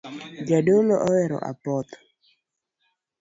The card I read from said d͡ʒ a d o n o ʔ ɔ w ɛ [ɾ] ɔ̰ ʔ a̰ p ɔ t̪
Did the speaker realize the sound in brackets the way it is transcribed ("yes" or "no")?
yes